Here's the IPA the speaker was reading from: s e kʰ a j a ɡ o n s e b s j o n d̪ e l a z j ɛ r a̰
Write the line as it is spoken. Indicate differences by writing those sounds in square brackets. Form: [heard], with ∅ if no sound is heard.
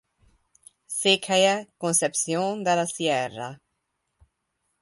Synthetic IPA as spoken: s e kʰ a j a [k] o n s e [p] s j o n d̪ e l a [s] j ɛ r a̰